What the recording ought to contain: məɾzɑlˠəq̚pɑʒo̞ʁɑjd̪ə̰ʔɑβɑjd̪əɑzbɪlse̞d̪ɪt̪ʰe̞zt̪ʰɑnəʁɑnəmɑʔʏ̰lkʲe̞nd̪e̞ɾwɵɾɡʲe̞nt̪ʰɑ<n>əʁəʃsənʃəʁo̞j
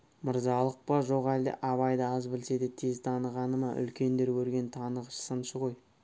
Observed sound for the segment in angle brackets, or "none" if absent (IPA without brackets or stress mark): n